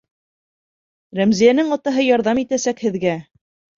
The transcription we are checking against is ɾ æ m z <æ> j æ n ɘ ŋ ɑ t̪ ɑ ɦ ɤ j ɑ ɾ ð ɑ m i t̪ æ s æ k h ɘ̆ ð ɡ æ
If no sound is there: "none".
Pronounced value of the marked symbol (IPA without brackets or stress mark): i